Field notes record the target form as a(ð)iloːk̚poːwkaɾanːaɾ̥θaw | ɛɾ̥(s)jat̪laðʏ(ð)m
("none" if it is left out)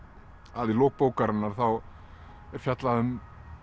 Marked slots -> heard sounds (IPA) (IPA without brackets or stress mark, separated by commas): ð, f, none